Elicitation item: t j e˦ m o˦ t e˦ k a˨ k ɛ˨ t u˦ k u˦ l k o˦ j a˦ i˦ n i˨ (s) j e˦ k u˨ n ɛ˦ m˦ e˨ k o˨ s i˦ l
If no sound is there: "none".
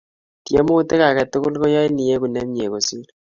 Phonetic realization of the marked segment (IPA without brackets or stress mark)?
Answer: none